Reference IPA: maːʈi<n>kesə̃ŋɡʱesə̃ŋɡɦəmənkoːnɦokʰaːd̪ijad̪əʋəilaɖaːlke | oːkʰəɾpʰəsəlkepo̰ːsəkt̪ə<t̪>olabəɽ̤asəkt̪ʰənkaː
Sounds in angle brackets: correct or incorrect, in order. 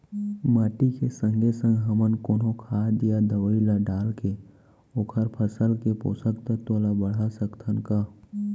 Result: incorrect: none, correct

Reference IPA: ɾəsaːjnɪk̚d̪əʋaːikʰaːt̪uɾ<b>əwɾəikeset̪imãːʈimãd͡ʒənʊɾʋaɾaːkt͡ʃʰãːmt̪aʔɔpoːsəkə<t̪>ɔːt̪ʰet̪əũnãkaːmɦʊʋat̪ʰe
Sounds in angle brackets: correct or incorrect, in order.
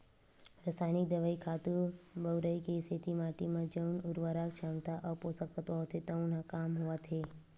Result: correct, correct

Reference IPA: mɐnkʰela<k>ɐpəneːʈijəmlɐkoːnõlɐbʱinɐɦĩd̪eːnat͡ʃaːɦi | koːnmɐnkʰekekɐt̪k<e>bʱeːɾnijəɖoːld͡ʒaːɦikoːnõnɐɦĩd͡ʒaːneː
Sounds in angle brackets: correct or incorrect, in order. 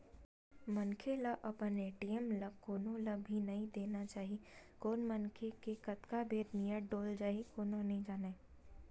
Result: incorrect: ʔ, incorrect: a

